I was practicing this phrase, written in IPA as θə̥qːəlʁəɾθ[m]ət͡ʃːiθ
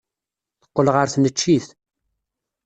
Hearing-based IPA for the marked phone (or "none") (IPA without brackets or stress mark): n